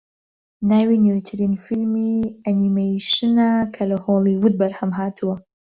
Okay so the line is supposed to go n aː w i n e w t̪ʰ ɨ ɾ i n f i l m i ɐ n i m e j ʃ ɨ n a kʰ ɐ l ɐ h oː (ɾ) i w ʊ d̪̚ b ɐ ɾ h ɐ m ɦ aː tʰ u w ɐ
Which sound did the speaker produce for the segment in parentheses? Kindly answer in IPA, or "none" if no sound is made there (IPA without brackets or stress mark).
l